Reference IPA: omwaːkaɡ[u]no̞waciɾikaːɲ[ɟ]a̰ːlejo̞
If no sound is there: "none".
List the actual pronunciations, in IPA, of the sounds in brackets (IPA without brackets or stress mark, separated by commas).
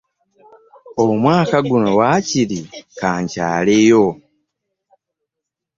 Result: u, c